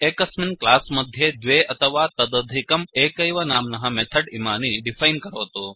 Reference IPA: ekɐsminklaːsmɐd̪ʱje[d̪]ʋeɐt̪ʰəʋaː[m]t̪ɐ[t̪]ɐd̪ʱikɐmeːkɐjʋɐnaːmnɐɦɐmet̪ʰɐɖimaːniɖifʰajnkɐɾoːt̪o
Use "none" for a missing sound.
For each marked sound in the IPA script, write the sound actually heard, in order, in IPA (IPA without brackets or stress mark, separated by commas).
d̪, none, d̪